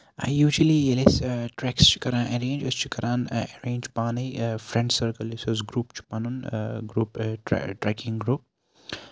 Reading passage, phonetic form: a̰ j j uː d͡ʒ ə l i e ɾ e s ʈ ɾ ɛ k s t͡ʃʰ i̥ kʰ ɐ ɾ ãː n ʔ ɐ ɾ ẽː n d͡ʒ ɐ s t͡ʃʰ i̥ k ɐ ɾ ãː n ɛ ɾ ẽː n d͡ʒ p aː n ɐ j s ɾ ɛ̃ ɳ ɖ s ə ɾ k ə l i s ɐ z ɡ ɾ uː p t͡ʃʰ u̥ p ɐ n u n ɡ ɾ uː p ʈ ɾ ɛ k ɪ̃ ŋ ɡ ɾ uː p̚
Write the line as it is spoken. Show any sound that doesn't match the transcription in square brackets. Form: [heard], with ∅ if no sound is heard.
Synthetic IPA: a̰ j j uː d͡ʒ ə l i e [l] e s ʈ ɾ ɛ k s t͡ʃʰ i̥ [k] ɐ ɾ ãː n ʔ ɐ ɾ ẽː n d͡ʒ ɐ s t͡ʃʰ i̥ k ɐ ɾ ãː n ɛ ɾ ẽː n d͡ʒ p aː n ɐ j [f] ɾ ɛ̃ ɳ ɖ s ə ɾ k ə l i s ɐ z ɡ ɾ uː p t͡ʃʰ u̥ p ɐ n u n ɡ ɾ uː p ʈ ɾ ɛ k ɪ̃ ŋ ɡ ɾ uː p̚